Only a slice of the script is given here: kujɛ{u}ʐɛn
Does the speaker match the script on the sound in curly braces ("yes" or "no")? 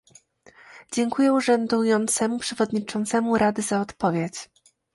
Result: yes